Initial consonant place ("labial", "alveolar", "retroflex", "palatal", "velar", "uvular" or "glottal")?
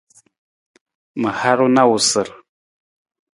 labial